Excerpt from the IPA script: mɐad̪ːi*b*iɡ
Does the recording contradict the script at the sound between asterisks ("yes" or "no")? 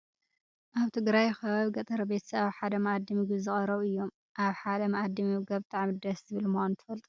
yes